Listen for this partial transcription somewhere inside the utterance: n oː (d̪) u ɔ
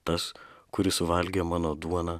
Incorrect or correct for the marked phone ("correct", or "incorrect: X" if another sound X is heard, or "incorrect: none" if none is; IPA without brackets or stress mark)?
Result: correct